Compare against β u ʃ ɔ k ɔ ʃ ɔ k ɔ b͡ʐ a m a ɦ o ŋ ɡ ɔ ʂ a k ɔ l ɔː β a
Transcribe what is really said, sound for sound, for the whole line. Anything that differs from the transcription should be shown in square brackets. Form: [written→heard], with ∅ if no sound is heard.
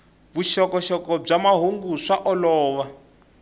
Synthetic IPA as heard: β u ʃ ɔ k ɔ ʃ ɔ k ɔ b͡ʐ a m a ɦ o ŋ ɡ [ɔ→u] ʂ a [k→ʔ] ɔ l ɔː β a